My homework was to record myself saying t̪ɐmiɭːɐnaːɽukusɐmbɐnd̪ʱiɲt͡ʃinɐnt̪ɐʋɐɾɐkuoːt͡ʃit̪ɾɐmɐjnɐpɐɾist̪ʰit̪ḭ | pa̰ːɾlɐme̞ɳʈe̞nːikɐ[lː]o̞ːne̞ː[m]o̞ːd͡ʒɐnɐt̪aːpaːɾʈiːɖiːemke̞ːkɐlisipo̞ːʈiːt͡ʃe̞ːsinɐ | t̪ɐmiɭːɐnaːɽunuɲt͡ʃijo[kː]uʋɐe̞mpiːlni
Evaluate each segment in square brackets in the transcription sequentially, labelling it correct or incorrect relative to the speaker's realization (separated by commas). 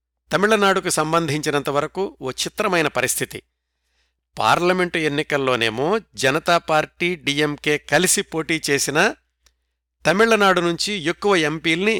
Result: correct, correct, correct